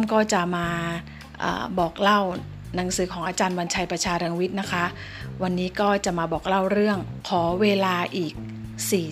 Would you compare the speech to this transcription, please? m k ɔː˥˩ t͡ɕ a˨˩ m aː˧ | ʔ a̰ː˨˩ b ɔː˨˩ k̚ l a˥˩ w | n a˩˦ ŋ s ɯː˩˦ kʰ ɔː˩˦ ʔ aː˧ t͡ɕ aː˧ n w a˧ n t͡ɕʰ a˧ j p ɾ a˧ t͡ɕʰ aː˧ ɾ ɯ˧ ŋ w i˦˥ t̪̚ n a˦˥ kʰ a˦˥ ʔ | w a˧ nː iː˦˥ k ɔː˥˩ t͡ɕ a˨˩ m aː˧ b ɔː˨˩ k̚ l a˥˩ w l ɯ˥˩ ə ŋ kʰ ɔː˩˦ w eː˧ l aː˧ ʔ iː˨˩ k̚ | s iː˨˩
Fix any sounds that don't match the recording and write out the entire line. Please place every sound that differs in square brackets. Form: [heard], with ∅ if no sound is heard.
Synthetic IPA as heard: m k ɔː˥˩ t͡ɕ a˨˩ m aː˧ | ʔ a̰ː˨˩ b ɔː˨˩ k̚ l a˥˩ w | n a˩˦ ŋ s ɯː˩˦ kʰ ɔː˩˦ ʔ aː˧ t͡ɕ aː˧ n w a˧ n t͡ɕʰ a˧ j p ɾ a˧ t͡ɕʰ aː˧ ɾ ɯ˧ ŋ w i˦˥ t̪̚ n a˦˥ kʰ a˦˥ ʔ | w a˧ nː iː˦˥ k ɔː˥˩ t͡ɕ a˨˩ m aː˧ b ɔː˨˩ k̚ l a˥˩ w [ɾ] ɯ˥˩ ə ŋ kʰ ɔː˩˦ w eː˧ l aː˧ ʔ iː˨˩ k̚ | s iː˨˩